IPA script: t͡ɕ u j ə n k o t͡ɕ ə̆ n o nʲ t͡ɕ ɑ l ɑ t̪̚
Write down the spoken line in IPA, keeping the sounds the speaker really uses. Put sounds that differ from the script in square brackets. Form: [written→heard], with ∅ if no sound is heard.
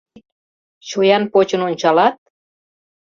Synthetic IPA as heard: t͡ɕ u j [ə→ɑ] n [k→p] o t͡ɕ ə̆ n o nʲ t͡ɕ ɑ l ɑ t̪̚